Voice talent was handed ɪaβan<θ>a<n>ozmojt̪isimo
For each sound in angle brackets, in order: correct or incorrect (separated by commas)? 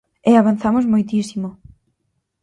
correct, incorrect